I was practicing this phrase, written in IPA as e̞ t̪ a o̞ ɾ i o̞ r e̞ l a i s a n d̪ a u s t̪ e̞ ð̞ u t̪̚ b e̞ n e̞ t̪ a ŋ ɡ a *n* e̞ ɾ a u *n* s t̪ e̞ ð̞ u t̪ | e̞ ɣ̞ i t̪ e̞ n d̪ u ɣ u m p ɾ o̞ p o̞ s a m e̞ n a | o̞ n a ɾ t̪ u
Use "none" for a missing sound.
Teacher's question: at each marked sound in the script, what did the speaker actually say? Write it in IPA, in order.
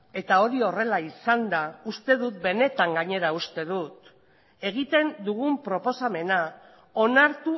ɲ, none

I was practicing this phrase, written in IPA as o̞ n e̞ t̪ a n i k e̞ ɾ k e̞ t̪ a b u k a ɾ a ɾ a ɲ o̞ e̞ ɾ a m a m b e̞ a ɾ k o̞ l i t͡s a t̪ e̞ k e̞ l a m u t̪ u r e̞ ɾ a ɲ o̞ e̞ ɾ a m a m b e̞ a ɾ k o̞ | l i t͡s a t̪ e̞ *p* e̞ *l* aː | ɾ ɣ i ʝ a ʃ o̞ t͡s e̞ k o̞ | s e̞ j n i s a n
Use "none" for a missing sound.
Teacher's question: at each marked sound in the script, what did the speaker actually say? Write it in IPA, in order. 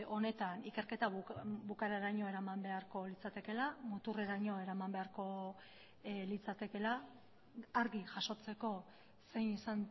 k, l

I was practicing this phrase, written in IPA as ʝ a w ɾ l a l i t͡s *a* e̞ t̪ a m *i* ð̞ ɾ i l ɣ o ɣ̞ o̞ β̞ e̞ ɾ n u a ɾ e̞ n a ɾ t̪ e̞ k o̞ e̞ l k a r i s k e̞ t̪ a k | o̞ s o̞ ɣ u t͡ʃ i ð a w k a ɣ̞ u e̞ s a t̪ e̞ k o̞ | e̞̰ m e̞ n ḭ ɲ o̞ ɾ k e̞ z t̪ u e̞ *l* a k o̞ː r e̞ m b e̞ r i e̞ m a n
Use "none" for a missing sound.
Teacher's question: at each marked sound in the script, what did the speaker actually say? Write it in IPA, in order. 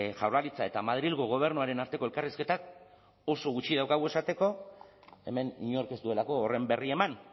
a, a, l

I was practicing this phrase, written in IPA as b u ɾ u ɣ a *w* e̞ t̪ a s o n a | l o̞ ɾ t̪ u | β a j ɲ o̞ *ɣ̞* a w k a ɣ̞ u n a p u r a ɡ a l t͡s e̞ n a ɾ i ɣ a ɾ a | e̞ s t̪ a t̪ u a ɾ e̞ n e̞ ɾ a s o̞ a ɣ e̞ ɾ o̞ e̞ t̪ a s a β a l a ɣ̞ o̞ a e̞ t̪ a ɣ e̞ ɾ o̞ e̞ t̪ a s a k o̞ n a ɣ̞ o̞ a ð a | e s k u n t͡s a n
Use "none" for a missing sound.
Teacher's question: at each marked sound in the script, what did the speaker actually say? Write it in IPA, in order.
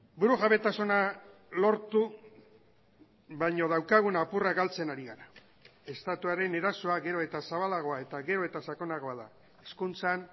β, ð̞

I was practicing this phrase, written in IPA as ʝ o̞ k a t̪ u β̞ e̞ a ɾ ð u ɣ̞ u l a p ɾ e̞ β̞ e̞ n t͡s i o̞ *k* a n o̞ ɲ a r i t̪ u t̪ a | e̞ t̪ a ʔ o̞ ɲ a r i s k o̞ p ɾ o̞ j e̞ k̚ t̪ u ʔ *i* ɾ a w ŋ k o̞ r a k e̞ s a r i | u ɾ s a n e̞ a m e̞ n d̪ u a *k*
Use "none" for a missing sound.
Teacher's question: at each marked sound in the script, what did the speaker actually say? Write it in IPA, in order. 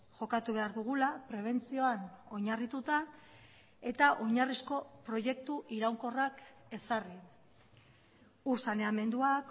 none, i, k

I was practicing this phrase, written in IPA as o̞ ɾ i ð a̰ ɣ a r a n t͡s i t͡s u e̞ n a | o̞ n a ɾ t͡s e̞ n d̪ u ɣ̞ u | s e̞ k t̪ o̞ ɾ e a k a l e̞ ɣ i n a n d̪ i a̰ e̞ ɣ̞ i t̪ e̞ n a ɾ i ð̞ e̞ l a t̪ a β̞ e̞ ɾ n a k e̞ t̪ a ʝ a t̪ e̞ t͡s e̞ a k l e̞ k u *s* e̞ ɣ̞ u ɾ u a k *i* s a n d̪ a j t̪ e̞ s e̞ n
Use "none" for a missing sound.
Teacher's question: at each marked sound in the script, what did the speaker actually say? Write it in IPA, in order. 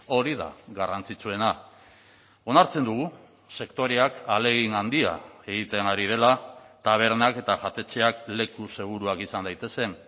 s, i

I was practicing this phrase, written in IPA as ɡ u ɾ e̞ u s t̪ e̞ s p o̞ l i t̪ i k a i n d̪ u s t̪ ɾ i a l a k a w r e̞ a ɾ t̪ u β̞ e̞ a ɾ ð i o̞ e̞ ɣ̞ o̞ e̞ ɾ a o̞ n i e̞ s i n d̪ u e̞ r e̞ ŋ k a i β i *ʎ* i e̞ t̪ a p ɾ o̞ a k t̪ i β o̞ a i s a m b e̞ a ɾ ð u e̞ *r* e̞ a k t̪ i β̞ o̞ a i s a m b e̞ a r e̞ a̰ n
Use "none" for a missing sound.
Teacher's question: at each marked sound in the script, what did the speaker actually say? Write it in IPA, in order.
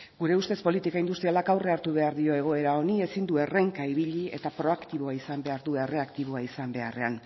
ʎ, r

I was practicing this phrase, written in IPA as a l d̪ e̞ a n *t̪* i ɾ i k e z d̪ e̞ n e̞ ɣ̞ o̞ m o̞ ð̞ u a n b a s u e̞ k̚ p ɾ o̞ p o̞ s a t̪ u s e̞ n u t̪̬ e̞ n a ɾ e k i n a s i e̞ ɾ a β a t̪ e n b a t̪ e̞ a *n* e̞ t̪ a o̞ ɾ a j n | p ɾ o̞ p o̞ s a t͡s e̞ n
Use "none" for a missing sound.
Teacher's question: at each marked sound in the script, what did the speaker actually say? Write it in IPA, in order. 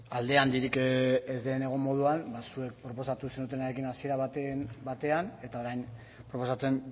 d̪, n

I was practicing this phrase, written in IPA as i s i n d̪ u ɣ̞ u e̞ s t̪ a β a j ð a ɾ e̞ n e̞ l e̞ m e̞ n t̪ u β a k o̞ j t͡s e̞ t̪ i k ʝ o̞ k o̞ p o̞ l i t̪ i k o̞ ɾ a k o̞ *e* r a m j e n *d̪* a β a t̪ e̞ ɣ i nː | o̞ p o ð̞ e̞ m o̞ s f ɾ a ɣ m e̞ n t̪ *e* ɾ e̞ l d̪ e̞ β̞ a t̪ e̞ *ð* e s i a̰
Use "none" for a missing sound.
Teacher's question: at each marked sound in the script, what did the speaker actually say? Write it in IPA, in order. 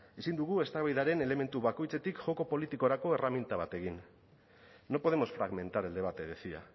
e, t̪, a, ð

